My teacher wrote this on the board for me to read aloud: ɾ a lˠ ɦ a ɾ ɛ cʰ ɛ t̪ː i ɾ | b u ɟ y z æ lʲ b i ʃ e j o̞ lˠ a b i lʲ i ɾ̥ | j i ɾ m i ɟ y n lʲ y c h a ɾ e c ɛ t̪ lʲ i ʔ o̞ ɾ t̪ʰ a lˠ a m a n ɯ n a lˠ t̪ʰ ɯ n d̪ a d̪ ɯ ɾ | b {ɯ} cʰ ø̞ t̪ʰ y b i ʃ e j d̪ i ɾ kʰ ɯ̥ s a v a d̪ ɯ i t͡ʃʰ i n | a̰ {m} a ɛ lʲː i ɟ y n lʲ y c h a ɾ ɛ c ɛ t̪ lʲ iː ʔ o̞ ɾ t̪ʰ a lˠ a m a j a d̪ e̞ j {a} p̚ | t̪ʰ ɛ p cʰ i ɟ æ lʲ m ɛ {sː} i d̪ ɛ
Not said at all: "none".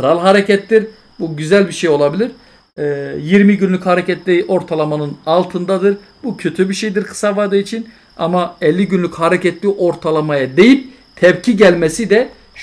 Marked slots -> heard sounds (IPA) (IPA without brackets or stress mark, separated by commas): u, m, i, s